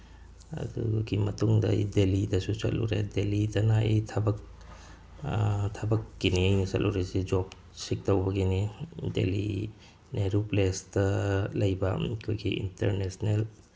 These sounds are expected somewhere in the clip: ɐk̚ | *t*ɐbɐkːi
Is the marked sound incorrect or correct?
incorrect